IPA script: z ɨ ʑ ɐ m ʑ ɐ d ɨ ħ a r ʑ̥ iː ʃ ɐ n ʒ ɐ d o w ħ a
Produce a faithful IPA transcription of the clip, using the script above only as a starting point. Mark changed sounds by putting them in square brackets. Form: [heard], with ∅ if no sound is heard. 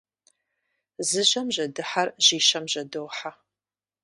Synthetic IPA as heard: z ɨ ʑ ɐ m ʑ ɐ d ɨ ħ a r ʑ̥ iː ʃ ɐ [m] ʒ ɐ d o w ħ a